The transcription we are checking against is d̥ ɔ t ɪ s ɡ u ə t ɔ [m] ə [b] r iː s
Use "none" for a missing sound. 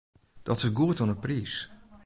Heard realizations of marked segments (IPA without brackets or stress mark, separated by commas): n, p